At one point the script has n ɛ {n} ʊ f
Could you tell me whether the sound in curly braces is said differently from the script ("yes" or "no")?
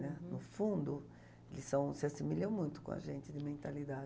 no